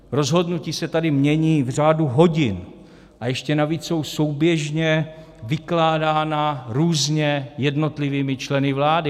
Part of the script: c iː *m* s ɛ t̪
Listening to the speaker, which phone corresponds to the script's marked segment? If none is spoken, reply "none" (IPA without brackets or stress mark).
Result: none